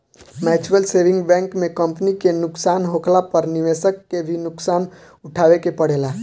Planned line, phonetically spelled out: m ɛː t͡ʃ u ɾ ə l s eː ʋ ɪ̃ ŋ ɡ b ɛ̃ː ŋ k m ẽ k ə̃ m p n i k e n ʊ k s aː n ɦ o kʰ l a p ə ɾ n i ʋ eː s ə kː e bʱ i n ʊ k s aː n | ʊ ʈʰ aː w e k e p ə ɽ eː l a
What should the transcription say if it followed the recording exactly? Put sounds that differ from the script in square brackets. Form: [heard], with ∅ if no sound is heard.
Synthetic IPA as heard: m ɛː t͡ʃ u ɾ ə l s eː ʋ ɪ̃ ŋ ɡ b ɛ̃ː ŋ k m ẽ k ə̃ m p n i k e n ʊ k s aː n ɦ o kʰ l a p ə ɾ n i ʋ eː s ə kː e bʱ i n ʊ k s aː n | ʊ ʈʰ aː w e k e p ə ɽ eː l a